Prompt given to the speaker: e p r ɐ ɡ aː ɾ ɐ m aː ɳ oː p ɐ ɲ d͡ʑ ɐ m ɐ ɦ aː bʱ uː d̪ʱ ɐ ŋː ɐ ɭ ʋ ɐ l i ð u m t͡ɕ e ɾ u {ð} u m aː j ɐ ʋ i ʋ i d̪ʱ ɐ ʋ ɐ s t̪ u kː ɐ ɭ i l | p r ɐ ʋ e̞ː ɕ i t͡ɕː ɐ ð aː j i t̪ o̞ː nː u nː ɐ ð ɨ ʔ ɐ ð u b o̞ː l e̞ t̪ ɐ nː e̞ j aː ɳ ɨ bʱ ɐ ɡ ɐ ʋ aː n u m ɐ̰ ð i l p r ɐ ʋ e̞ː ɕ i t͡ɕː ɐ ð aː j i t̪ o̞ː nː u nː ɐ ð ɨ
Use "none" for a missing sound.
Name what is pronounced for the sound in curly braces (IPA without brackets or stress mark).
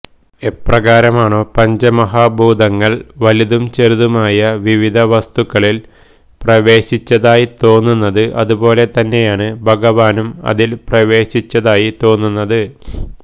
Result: ð